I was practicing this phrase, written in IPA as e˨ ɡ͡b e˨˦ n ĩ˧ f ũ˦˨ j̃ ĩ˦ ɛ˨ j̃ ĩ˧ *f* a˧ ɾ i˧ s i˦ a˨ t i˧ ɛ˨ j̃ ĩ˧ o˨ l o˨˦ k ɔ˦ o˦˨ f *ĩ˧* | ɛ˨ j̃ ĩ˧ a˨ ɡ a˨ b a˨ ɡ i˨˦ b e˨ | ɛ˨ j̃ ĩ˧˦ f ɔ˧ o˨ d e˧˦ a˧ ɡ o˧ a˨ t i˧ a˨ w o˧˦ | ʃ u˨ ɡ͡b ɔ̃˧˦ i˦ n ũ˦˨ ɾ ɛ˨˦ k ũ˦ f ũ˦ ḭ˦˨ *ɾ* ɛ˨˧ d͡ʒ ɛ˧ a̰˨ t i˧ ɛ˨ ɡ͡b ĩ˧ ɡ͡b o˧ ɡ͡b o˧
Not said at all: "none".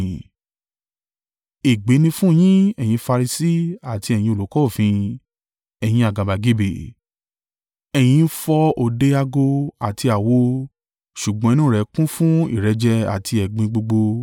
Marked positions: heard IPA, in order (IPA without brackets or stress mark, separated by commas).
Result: f, ĩ˧, ɾ